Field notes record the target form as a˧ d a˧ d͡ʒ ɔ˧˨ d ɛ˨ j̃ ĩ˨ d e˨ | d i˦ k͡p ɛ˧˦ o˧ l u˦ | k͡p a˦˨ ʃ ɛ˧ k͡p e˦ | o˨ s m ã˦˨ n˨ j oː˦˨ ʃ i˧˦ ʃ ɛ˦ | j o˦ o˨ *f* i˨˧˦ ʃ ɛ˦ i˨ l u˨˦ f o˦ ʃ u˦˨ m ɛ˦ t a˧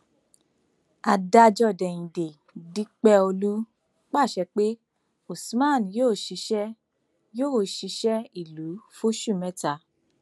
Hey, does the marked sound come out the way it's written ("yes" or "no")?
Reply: no